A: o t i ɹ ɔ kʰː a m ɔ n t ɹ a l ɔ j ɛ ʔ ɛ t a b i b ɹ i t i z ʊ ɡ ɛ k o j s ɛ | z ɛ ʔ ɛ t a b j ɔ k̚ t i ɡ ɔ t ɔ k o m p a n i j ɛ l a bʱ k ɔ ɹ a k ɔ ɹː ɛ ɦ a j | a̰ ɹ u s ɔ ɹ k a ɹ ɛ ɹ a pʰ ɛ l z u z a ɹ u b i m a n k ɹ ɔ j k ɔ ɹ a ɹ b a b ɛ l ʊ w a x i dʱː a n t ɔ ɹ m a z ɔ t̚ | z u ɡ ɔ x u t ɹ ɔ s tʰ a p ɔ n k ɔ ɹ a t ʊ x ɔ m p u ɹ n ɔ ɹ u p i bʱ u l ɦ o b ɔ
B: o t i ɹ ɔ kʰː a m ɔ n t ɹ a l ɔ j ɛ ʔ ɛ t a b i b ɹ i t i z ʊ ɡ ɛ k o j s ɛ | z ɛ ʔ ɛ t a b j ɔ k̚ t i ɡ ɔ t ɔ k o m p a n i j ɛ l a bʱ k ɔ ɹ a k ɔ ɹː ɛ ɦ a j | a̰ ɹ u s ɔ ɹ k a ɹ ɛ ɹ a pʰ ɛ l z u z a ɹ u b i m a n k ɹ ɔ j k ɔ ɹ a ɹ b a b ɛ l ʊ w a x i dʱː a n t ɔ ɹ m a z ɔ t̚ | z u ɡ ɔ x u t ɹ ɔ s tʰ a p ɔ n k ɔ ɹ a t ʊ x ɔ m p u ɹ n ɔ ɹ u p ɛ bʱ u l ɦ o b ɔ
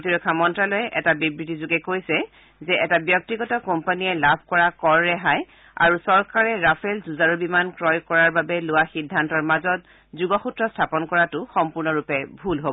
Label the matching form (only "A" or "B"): B